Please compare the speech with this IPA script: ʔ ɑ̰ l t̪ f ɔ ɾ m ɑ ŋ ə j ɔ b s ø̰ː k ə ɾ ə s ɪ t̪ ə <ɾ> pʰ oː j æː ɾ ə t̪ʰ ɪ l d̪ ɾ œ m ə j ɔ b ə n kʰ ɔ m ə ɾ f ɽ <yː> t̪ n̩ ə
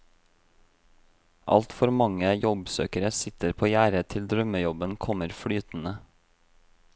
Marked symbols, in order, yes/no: yes, yes

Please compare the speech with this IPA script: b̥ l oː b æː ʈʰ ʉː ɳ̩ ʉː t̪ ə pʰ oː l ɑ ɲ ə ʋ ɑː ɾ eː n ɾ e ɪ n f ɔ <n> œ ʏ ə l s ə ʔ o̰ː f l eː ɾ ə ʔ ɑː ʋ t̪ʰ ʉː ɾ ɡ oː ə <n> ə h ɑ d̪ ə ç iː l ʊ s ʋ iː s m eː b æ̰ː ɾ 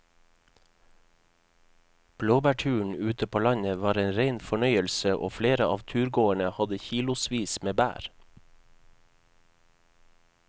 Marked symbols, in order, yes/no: no, no

